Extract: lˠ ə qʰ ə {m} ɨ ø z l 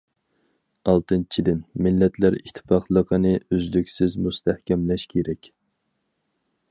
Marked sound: incorrect: n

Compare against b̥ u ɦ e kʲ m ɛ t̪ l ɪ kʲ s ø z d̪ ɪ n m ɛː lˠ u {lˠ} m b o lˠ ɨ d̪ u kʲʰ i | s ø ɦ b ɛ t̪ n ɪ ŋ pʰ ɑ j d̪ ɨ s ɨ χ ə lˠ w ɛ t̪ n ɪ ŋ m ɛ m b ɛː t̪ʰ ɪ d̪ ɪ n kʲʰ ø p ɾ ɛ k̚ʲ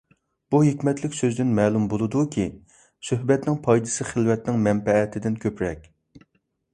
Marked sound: incorrect: none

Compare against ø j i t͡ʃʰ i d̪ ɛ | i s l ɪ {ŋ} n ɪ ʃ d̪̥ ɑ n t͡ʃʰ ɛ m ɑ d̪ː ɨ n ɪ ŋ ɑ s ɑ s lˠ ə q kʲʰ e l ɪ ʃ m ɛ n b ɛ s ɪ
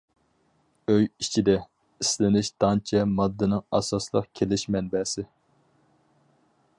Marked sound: incorrect: none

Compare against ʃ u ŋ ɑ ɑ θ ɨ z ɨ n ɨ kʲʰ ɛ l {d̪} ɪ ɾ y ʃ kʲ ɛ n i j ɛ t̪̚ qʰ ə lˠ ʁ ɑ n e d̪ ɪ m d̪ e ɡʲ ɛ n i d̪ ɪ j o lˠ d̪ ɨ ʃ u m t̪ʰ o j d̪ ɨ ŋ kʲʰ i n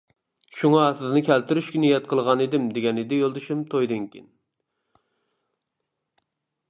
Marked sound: incorrect: t̪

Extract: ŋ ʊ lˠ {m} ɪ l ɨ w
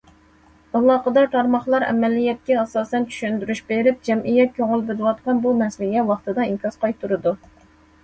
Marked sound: incorrect: b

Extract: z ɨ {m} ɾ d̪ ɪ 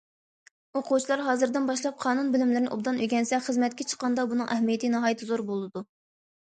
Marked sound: incorrect: none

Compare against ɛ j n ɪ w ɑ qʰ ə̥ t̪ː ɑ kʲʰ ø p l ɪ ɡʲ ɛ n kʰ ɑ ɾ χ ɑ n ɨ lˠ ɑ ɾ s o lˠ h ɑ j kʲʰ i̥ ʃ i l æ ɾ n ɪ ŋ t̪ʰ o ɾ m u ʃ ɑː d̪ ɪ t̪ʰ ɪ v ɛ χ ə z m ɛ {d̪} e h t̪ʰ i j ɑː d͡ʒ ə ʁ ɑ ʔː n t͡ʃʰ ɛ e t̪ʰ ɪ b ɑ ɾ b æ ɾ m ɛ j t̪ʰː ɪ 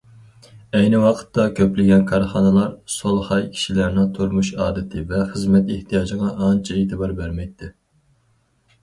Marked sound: incorrect: t̪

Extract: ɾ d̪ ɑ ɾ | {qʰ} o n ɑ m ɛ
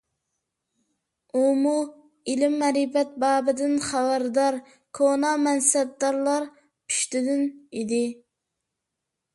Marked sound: incorrect: kʰ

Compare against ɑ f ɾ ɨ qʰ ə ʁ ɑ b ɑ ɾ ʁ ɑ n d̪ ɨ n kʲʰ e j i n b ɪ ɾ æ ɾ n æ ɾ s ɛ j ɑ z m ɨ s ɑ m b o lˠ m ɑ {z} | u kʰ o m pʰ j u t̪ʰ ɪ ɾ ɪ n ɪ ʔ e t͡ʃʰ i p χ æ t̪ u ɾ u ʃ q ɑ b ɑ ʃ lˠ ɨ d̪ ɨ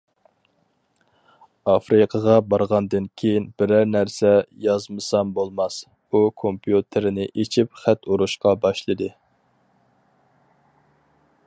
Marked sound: incorrect: s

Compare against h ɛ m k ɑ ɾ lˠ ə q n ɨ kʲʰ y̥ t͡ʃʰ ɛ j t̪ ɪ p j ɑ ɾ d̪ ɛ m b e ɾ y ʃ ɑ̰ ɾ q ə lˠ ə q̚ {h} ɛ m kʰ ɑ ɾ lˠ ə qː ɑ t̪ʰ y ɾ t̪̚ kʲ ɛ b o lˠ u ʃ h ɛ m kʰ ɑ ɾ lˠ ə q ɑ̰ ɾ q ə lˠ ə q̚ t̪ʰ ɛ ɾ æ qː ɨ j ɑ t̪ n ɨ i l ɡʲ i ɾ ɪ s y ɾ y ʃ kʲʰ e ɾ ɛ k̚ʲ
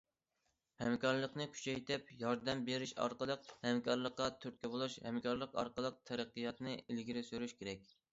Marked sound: correct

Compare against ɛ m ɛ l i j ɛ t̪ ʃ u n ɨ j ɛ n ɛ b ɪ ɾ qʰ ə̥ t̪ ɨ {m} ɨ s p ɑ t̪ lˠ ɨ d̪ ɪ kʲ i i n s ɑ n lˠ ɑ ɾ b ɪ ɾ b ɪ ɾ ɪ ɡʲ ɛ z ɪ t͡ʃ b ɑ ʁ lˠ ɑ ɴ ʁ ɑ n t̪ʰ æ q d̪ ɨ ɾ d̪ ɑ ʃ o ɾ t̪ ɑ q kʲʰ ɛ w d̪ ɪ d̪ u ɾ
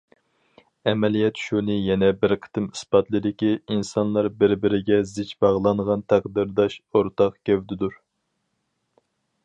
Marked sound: correct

